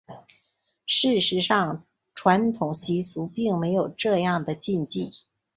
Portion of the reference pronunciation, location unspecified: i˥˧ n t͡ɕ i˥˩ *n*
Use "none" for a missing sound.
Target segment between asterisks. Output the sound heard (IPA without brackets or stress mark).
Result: none